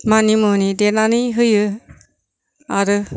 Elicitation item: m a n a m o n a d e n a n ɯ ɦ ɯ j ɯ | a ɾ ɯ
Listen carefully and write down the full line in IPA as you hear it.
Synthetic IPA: m a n i m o n i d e n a n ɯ ɦ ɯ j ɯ | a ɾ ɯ